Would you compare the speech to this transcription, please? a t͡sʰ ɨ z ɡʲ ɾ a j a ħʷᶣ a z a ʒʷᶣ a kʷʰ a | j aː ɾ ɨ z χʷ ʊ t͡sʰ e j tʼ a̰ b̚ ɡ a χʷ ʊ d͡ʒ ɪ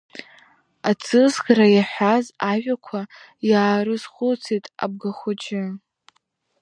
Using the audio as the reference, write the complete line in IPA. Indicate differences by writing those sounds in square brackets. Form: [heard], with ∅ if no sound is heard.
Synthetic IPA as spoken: a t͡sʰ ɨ z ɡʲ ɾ a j a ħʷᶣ a z a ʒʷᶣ a kʷʰ a | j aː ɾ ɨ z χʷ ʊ t͡sʰ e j tʼ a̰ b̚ ɡ a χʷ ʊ d͡ʒ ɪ